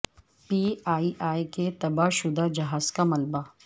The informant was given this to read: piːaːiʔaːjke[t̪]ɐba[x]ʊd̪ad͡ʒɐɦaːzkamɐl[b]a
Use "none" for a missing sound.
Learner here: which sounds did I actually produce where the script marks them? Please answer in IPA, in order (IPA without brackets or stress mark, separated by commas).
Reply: t̪, ʃ, b